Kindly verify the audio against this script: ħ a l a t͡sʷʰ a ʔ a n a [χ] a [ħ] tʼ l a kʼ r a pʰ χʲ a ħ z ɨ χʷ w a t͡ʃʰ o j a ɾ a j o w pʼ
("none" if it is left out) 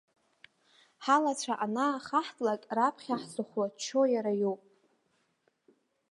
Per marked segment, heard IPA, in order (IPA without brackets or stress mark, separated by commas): χ, ħ